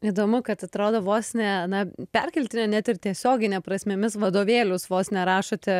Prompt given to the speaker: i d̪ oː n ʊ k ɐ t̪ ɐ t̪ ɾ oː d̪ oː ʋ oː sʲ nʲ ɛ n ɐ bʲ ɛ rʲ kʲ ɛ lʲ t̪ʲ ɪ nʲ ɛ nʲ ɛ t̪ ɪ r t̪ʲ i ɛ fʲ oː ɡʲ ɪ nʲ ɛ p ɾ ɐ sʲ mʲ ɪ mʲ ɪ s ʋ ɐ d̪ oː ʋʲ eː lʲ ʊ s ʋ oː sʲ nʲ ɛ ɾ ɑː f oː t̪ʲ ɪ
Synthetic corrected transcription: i d̪ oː m ʊ k ɐ t̪ ɐ t̪ ɾ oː d̪ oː ʋ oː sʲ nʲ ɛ n ɐ pʲ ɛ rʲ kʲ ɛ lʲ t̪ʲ ɪ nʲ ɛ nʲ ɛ t̪ ɪ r t̪ʲ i ɛ sʲ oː ɡʲ ɪ nʲ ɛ p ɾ ɐ sʲ mʲ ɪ mʲ ɪ s ʋ ɐ d̪ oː ʋʲ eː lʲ ʊ s ʋ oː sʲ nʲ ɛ ɾ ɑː ʃ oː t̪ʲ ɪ